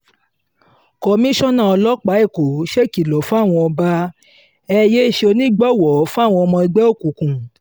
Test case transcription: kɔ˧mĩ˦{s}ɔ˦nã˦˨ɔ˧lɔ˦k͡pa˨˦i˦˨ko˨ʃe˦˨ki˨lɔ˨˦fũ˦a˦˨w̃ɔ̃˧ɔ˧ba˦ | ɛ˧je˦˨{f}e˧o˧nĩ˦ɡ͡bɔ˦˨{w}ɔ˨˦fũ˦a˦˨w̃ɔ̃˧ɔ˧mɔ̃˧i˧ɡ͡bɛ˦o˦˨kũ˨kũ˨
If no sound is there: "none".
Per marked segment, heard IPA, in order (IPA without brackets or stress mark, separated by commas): ʃ, ʃ, w